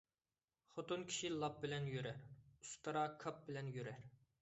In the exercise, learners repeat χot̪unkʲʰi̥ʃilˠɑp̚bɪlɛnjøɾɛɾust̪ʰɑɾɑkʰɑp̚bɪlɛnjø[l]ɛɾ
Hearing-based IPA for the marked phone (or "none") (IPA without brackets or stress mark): ɾ